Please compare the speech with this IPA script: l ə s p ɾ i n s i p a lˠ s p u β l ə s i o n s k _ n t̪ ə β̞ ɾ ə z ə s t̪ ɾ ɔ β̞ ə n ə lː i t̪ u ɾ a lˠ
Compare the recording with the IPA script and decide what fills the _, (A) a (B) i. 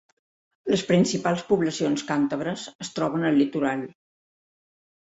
A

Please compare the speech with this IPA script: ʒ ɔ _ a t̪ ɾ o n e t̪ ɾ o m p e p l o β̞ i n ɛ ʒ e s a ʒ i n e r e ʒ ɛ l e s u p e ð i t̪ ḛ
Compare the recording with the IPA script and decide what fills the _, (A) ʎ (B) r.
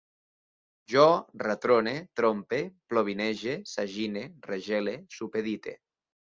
B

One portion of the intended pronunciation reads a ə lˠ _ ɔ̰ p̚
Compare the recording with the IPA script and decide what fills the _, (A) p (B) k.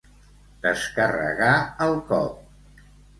B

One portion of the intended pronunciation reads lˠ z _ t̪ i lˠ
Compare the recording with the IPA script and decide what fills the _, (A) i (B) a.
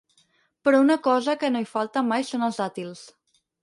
B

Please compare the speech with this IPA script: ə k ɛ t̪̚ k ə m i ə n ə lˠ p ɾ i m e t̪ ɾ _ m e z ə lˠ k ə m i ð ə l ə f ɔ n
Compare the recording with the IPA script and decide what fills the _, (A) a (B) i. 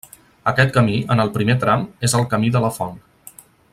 A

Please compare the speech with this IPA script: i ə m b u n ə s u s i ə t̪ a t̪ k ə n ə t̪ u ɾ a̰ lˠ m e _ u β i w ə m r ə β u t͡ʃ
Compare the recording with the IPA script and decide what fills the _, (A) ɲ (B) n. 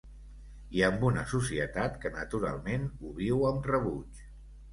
B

